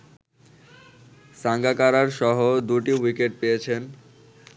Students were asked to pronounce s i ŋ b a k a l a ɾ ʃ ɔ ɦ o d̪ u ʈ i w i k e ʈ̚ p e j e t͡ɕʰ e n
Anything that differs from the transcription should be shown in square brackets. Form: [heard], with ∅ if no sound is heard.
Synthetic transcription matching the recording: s [a] ŋ [ɡ] a k a [ɾ] a ɾ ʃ ɔ ɦ o d̪ u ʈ i w i k e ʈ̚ p e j e t͡ɕʰ e n